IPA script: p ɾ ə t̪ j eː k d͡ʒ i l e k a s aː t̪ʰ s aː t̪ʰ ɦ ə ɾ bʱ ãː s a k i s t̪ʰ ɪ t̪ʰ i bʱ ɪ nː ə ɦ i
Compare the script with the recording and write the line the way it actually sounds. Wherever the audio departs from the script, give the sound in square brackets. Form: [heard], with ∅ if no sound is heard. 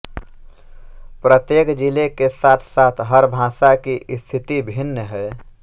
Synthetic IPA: p ɾ ə t̪ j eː k d͡ʒ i l e k [e] s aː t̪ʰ s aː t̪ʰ ɦ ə ɾ bʱ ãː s a k i s t̪ʰ ɪ [t̪] i bʱ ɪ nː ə ɦ [ɛ]